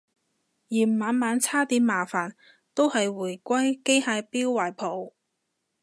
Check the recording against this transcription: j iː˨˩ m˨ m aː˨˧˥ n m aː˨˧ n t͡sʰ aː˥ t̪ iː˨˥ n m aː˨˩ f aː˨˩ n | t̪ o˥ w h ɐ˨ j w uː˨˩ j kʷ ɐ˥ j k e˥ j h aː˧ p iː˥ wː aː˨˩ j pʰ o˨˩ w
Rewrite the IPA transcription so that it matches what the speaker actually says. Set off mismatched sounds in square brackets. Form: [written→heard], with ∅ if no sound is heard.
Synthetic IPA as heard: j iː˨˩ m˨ m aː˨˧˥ n m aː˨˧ n t͡sʰ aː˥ t̪ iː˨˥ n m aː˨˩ f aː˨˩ n | t̪ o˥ w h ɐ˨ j w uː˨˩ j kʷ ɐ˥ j k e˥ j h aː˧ p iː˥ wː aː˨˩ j pʰ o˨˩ w